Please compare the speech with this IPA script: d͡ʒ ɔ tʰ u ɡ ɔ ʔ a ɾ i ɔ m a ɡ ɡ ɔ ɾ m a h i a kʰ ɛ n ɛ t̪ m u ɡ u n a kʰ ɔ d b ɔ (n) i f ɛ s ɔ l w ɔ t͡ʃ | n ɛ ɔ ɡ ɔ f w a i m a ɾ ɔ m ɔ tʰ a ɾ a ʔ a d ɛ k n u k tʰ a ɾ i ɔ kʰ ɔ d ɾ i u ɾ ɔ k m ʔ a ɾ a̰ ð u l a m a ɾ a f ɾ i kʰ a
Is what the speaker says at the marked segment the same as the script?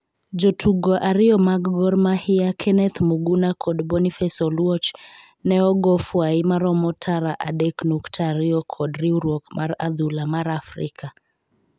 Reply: yes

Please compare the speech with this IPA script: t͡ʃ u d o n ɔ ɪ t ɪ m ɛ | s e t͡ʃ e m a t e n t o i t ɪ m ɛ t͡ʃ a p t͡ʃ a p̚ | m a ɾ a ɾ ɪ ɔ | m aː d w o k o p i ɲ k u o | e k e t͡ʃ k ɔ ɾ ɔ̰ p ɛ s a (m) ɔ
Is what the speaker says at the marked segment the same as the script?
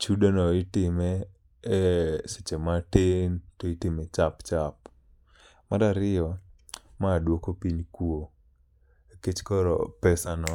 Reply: no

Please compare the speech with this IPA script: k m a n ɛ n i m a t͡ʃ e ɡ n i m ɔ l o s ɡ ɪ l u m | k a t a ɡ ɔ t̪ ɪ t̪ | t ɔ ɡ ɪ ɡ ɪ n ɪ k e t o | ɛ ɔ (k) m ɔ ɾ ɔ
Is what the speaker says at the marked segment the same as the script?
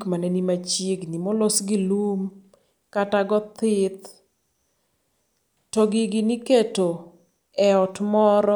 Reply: no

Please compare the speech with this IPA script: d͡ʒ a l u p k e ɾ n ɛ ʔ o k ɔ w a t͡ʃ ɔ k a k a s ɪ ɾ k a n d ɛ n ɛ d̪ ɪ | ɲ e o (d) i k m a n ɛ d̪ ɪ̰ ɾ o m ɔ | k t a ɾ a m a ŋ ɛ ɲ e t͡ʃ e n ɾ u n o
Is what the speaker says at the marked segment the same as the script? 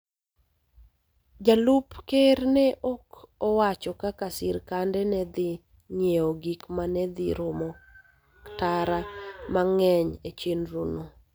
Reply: no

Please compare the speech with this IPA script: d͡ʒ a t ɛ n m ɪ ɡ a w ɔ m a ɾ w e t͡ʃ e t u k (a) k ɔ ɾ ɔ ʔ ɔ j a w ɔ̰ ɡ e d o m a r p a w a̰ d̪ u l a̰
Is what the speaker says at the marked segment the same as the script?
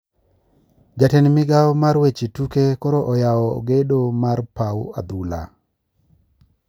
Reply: no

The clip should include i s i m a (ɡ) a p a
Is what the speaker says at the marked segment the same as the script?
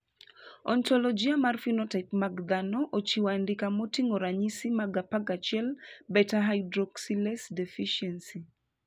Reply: yes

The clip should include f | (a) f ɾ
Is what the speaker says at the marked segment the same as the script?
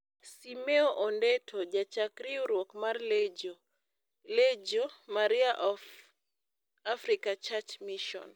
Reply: yes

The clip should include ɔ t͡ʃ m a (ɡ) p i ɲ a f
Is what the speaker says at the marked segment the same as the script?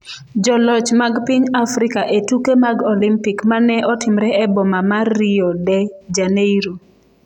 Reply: yes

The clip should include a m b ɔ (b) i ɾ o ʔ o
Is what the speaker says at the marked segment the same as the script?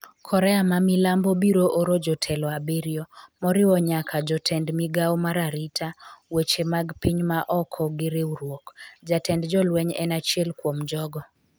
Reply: yes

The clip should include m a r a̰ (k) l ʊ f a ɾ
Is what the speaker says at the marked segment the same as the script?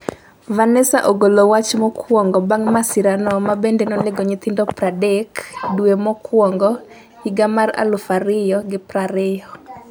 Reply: no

